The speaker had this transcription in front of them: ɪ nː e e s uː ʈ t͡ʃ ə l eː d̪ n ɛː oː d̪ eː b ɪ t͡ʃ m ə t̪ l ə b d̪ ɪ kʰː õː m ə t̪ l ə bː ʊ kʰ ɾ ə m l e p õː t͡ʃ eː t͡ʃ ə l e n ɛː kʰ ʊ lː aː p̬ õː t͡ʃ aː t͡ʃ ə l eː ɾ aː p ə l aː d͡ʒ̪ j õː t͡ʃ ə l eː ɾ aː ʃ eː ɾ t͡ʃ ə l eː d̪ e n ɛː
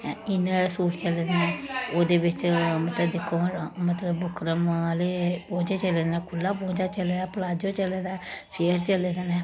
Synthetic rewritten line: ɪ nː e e s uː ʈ t͡ʃ ə l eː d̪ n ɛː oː d̪ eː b ɪ t͡ʃ m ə t̪ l ə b d̪ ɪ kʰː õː m ə t̪ l ə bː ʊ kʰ ɾ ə m l e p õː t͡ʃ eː t͡ʃ ə l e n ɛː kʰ ʊ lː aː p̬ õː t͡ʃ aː t͡ʃ ə l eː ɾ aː p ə l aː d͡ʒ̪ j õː t͡ʃ ə l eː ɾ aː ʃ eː ɾ t͡ʃ ə l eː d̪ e n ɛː

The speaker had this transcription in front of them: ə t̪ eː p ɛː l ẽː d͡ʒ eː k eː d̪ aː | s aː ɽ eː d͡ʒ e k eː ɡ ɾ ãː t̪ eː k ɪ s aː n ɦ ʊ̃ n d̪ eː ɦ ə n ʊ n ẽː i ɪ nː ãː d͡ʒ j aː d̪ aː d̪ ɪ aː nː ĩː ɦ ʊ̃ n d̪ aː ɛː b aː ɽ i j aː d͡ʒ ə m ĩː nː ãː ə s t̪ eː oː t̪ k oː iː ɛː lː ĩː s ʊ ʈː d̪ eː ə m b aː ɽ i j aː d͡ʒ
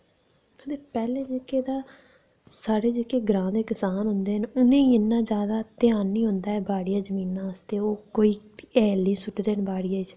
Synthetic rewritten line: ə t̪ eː p ɛː l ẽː d͡ʒ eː k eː d̪ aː | s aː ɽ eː d͡ʒ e k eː ɡ ɾ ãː d̪ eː k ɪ s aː n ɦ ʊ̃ n d̪ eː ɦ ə n ʊ n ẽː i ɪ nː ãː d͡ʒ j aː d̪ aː t̪ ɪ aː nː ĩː ɦ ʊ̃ n d̪ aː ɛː b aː ɽ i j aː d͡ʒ ə m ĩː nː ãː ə s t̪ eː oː k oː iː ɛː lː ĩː s ʊ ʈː d̪ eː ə n b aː ɽ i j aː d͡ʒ

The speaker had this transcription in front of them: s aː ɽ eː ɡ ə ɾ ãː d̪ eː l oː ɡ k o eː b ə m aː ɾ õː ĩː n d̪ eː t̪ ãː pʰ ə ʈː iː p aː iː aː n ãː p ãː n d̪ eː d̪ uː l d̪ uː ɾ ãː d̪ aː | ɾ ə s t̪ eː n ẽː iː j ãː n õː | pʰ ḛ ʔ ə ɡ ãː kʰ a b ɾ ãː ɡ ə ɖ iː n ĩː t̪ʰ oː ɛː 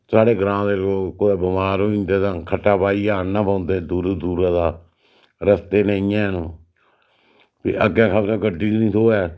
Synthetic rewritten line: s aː ɽ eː ɡ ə ɾ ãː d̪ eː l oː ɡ k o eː b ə m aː ɾ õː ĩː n d̪ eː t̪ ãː kʰ ə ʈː aː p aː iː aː n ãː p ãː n d̪ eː d̪ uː ɾ d̪ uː ɾ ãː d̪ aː | ɾ ə s t̪ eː n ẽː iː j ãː n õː | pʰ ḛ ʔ ə ɡ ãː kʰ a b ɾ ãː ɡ ə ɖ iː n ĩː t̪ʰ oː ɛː

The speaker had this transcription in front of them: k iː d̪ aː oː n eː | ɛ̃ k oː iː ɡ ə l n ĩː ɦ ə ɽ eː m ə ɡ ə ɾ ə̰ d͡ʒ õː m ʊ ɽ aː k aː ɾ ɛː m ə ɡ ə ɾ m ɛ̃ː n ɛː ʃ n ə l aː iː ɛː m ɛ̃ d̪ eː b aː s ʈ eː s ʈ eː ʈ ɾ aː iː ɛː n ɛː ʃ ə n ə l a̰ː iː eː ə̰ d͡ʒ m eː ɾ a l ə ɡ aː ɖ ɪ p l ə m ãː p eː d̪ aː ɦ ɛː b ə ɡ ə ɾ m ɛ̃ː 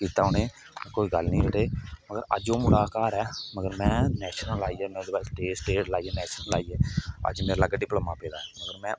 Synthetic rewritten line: k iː t̪ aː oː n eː | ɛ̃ k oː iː ɡ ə l n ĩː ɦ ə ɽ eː m ə ɡ ə ɾ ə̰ d͡ʒ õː m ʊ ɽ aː k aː ɾ ɛː m ə ɡ ə ɾ m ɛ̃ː n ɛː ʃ n ə l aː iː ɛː m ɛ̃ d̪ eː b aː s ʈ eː s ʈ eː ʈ l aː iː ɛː n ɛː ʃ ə n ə l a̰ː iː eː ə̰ d͡ʒ m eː ɾ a l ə ɡ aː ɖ ɪ p l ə m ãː p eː d̪ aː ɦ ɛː m ə ɡ ə ɾ m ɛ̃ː

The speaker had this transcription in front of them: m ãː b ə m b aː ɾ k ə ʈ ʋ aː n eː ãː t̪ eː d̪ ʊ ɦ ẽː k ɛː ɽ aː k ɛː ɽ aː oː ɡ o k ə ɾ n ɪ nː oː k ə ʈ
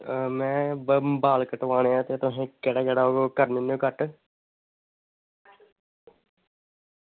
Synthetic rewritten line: m ɛ̃ː b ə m b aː l k ə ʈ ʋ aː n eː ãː t̪ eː t̪ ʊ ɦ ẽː k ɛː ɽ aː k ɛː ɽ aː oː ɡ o k ə ɾ n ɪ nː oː k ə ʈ

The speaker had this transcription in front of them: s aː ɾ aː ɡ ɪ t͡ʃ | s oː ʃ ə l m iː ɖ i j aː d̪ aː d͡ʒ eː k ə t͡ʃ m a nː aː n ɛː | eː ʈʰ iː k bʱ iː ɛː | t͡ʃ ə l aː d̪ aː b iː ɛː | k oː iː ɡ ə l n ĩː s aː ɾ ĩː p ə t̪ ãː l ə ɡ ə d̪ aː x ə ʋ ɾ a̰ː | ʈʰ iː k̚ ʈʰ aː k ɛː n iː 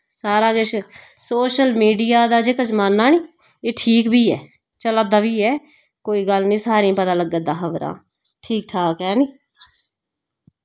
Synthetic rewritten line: s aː ɾ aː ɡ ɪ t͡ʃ | s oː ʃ ə l m iː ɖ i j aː d̪ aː d͡ʒ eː k ə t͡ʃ m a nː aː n iː | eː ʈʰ iː k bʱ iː ɛː | t͡ʃ ə l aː d̪ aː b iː ɛː | k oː iː ɡ ə l n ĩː s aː ɾ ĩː p ə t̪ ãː l ə ɡ ə d̪ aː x ə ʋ ɾ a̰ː | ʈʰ iː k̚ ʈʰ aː k ɛː n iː

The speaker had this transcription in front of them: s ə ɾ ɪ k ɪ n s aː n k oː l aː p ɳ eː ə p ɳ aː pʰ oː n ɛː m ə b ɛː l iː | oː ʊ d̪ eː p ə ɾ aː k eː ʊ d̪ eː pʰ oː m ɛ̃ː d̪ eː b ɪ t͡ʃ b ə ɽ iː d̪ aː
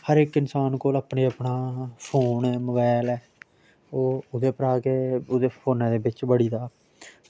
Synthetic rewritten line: h ə ɾ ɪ k ɪ n s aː n k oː l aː p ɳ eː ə p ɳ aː pʰ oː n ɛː m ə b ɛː l ɛː | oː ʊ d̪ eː p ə ɾ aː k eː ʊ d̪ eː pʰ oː n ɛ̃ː d̪ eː b ɪ t͡ʃ b ə ɽ iː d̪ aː

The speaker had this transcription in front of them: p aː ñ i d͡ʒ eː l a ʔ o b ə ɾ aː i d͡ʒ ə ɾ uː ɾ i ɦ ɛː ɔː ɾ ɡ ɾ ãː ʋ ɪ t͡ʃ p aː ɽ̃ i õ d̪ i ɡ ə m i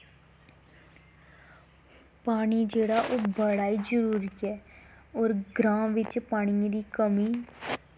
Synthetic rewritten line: p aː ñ i d͡ʒ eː ɽ a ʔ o b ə ɽ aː i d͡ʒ ə ɾ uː ɾ i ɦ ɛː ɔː ɾ ɡ ɾ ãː ʋ ɪ t͡ʃ p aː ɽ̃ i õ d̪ i k ə m i

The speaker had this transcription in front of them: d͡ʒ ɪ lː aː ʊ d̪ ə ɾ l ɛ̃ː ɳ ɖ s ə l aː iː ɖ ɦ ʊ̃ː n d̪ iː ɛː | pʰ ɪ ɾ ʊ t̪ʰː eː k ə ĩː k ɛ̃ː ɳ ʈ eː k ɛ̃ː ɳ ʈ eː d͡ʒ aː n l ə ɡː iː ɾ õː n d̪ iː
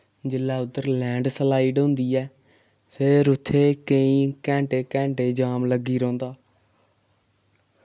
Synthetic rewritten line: d͡ʒ ɪ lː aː ʊ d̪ ə ɾ l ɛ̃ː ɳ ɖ s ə l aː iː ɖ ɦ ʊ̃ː n d̪ iː ɛː | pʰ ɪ ɾ ʊ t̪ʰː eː k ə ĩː k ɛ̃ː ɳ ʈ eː k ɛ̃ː ɳ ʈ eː d͡ʒ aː m l ə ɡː iː ɾ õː n d̪ aː

